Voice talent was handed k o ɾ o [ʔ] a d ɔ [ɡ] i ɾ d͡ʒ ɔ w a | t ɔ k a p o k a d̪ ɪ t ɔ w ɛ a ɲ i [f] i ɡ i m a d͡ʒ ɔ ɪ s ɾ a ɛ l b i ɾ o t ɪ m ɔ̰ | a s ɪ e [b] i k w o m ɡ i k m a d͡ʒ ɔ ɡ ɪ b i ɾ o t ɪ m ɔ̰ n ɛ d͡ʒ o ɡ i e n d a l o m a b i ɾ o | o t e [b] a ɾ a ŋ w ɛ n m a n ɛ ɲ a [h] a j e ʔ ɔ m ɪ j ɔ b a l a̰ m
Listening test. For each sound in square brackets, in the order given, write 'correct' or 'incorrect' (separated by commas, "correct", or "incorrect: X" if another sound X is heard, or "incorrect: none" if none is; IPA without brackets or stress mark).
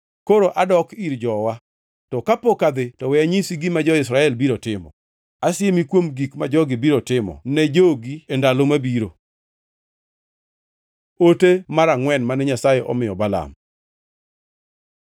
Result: correct, incorrect: k, incorrect: s, incorrect: m, incorrect: m, incorrect: s